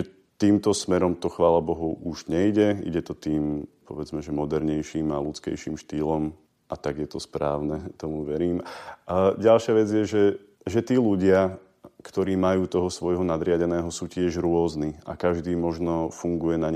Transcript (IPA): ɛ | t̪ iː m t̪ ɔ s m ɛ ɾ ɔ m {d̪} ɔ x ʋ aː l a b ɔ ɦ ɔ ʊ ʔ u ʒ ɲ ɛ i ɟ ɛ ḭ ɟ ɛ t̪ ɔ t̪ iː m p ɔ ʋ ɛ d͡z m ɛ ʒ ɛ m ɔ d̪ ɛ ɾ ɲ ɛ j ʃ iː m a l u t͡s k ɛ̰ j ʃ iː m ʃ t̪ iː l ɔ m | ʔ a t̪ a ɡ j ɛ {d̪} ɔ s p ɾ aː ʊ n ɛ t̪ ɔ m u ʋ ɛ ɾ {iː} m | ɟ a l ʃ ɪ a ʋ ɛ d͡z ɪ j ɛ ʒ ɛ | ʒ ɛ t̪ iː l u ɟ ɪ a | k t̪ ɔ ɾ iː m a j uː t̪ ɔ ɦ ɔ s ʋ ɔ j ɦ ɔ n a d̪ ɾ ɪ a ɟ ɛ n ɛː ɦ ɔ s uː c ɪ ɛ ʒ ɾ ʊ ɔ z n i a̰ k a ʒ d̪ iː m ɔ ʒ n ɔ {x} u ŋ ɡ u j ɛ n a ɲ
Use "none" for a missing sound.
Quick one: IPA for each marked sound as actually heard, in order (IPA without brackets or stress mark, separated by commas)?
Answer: t̪, t̪, iː, f